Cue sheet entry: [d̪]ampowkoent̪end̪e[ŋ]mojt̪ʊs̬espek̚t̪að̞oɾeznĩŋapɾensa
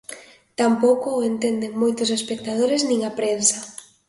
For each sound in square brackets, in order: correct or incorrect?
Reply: incorrect: t̪, correct

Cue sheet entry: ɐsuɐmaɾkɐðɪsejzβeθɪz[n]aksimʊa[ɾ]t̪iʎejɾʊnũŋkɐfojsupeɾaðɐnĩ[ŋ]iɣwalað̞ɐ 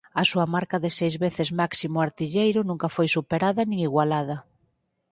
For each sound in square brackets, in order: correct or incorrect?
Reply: incorrect: m, correct, correct

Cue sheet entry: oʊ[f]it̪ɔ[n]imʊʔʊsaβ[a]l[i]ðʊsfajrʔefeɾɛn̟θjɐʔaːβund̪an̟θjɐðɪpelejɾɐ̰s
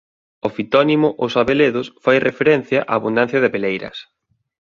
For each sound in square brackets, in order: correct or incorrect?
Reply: correct, correct, incorrect: e, incorrect: e

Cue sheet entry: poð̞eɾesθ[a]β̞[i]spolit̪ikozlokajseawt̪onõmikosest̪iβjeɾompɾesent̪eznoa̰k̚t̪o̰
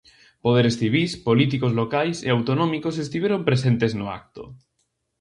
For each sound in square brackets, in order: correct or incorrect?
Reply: incorrect: i, correct

